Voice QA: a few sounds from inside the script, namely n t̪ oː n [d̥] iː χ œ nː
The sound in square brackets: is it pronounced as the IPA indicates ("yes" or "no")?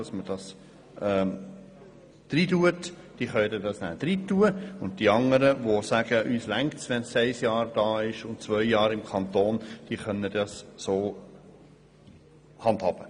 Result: yes